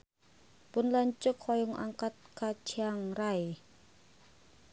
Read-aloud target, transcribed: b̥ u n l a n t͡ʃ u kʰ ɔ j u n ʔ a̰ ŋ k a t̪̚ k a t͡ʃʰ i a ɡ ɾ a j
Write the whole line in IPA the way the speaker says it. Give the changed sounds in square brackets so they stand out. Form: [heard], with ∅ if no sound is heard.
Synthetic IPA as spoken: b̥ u n l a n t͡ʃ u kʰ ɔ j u [ŋ] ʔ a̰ ŋ k a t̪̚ k a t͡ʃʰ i a [ŋ] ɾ a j